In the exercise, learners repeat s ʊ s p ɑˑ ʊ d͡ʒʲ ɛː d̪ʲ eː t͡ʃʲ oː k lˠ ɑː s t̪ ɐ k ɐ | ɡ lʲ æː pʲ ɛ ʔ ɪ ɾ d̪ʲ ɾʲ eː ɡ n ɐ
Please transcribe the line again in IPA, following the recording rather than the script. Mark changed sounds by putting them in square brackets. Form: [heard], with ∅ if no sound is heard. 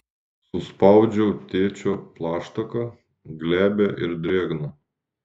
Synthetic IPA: s ʊ s p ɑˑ ʊ d͡ʒʲ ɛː [t̪ʲ] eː t͡ʃʲ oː [p] lˠ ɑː [ʃ] t̪ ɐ k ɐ | ɡ lʲ æː [bʲ] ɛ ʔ ɪ ɾ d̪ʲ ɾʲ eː ɡ n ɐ